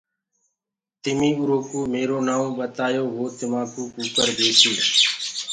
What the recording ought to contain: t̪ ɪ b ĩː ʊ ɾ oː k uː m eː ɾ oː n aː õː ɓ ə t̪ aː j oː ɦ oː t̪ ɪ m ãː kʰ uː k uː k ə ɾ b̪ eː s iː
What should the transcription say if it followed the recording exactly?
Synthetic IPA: t̪ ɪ m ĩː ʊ ɾ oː k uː m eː ɾ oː n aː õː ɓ ə t̪ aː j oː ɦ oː t̪ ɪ m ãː k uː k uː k ə ɾ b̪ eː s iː